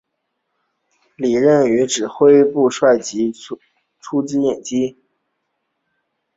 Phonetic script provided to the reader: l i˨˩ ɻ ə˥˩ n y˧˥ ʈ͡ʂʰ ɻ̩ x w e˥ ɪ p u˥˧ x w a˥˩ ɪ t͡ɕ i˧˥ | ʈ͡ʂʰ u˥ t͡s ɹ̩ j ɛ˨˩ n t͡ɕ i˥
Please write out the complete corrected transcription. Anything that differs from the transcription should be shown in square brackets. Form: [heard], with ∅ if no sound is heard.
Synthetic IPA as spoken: l i˨˩ ɻ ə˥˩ n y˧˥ [ʈ͡ʂ] ɻ̩ x w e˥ ɪ p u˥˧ [ʂ] w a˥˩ ɪ t͡ɕ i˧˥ | ʈ͡ʂʰ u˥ t͡s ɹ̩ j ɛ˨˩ n t͡ɕ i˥